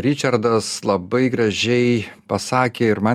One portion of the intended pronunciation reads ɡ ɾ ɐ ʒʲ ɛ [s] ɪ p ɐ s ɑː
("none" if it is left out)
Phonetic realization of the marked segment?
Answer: none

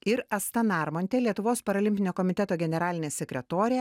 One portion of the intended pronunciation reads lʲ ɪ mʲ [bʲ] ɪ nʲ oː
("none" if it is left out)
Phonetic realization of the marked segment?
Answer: pʲ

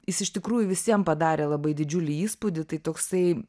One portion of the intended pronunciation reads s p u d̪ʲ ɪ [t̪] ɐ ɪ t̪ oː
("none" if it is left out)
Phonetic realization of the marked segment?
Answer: t̪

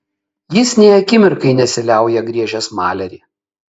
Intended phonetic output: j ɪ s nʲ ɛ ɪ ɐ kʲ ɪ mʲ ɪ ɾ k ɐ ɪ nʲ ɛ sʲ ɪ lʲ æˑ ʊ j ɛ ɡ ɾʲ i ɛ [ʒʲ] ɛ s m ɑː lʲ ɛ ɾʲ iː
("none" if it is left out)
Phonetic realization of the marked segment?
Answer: ʒʲ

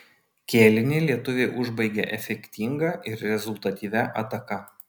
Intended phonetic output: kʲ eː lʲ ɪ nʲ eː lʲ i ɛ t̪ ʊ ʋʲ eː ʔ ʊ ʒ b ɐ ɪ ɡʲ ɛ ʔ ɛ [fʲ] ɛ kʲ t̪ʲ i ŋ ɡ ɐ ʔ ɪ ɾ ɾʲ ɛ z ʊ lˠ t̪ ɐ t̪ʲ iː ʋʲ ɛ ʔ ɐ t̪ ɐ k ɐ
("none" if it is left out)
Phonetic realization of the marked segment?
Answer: fʲ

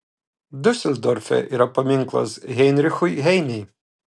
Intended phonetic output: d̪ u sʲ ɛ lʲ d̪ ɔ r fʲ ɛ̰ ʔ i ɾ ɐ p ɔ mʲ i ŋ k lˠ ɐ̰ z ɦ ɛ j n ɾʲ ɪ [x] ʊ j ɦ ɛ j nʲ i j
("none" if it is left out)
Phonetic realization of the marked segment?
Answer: x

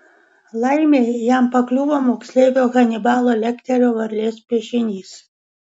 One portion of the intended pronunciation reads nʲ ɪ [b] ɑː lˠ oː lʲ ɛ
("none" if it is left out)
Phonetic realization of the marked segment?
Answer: b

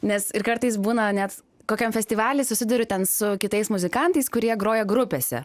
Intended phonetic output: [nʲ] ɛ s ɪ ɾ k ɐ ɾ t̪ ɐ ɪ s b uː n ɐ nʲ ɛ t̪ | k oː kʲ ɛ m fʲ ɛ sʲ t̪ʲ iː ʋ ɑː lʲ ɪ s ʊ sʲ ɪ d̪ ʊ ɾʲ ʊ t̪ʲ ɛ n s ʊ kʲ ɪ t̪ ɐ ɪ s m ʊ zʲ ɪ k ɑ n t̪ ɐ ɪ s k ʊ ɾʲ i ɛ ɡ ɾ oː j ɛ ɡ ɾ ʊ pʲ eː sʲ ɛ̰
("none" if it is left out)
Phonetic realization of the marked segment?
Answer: nʲ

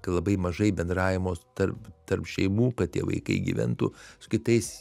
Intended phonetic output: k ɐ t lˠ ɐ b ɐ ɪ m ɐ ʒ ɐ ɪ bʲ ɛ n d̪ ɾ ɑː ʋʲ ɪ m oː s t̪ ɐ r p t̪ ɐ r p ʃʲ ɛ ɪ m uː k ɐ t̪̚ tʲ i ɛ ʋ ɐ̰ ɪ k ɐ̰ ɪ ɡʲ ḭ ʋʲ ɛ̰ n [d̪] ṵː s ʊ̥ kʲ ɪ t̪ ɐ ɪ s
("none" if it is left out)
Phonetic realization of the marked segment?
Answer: t̪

